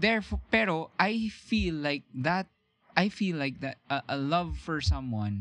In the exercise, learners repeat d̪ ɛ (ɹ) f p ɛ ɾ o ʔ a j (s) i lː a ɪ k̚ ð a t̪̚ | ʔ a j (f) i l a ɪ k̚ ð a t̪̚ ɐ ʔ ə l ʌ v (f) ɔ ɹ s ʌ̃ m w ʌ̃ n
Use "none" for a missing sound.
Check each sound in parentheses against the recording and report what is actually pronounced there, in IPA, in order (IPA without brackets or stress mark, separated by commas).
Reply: ɹ, f, f, f